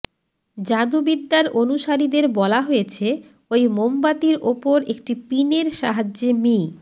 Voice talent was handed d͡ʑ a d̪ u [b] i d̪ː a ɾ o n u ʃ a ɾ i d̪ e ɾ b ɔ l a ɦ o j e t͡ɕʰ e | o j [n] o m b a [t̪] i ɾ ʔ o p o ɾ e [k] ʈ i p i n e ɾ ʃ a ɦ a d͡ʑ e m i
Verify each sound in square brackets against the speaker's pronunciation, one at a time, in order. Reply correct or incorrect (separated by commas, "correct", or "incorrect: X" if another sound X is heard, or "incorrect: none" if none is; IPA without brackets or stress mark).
correct, incorrect: m, correct, correct